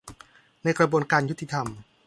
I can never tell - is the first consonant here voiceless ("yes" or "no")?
no